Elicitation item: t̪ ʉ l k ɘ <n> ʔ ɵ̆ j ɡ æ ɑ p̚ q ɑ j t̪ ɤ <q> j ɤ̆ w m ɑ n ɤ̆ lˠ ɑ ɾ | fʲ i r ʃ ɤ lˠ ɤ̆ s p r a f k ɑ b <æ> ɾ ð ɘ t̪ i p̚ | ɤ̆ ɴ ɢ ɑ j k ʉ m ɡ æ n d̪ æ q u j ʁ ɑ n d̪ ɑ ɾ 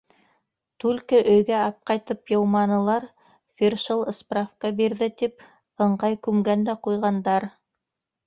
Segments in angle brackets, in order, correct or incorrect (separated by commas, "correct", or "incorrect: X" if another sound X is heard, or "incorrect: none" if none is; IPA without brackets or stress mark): incorrect: none, incorrect: p, incorrect: i